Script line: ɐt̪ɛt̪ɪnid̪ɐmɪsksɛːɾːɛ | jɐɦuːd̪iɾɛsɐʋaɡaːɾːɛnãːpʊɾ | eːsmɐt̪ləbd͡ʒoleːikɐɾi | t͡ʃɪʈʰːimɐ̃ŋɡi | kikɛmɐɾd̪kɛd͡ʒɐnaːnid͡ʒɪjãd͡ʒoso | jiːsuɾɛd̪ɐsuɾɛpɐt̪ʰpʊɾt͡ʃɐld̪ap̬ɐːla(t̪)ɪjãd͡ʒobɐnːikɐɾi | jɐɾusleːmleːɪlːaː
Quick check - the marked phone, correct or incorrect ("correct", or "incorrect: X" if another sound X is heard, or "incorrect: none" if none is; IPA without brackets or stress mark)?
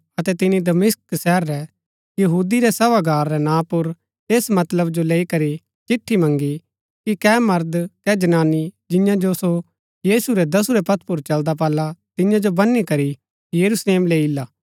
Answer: correct